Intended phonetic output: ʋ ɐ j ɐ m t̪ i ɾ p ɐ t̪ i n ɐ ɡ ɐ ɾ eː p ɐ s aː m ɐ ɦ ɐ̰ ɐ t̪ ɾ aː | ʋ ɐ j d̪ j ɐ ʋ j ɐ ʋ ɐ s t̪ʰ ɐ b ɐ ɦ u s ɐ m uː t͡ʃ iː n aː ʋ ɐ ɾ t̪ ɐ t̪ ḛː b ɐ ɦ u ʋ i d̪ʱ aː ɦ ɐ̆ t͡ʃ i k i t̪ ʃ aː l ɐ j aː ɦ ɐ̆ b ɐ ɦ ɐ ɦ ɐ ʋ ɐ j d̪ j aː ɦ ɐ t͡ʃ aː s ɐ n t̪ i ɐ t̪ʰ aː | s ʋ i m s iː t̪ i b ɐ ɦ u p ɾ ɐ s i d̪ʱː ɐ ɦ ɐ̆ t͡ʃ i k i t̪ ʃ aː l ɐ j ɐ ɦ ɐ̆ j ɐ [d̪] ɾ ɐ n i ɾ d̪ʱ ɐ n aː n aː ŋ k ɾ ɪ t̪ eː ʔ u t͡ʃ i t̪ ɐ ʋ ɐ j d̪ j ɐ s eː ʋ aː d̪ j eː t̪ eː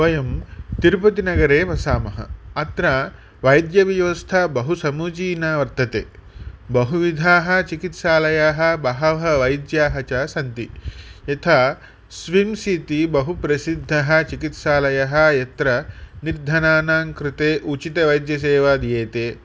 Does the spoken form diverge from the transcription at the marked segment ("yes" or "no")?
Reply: yes